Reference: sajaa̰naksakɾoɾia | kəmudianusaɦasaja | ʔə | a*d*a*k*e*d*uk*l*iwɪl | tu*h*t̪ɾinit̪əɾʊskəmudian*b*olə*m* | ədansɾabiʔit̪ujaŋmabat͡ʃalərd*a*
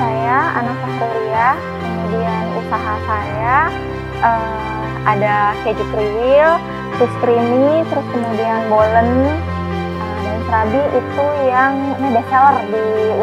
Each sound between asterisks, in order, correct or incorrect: correct, correct, incorrect: d͡ʒ, incorrect: ɾ, incorrect: s, correct, incorrect: n, incorrect: i

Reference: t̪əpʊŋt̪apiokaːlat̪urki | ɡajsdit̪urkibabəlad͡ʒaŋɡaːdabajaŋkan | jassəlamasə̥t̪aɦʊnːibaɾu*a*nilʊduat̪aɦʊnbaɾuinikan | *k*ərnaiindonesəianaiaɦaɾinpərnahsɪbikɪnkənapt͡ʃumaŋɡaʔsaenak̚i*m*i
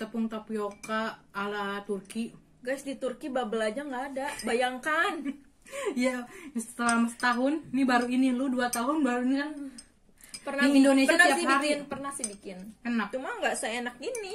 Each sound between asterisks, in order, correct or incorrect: incorrect: i, incorrect: p, incorrect: n

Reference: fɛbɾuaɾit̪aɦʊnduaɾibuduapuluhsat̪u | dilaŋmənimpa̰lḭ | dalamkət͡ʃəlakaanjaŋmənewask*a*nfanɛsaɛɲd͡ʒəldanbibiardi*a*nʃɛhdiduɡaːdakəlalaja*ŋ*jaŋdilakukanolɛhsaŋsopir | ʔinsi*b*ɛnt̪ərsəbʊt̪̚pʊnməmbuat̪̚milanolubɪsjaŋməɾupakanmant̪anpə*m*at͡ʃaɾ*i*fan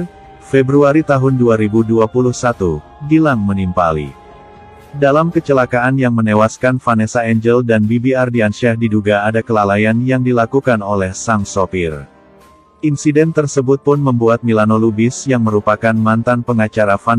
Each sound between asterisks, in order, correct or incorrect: correct, correct, incorrect: n, incorrect: d, incorrect: ŋ, incorrect: a

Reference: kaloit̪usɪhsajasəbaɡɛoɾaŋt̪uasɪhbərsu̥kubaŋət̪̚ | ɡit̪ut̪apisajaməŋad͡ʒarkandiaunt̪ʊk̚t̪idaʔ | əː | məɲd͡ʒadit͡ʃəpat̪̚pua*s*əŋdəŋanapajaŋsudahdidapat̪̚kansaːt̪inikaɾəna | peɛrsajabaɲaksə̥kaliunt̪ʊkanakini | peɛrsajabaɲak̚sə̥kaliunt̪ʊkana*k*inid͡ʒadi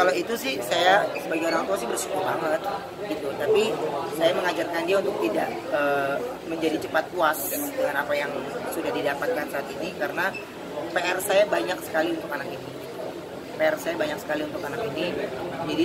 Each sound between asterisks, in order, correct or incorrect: correct, correct

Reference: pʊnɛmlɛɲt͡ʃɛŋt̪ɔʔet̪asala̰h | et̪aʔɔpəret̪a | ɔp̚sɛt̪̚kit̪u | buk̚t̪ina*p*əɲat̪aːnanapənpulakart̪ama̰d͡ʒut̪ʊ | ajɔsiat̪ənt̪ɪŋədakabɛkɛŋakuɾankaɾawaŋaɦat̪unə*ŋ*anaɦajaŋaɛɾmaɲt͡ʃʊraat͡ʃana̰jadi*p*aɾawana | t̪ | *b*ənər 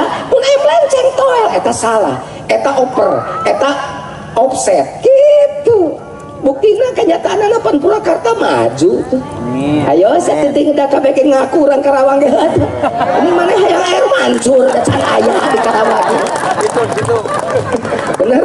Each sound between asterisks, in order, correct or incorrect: incorrect: k, incorrect: m, incorrect: k, correct

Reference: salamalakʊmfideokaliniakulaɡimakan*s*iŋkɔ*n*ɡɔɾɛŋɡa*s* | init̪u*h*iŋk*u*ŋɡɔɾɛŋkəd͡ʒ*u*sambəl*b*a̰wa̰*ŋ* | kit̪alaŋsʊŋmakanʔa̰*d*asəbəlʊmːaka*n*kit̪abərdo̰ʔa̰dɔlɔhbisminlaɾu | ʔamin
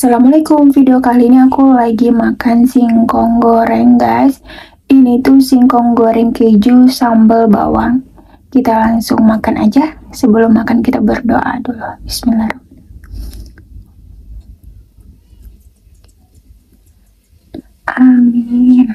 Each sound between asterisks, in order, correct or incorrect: correct, incorrect: ŋ, correct, incorrect: s, incorrect: ɔ, correct, correct, correct, incorrect: d͡ʒ, correct

